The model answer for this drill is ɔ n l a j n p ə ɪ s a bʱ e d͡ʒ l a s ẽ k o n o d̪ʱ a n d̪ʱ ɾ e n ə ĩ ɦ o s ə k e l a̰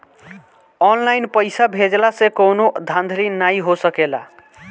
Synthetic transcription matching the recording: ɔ n l a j n p ə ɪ s a bʱ e d͡ʒ l a s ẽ k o n o d̪ʱ a n d̪ʱ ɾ i n a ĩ ɦ o s ə k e l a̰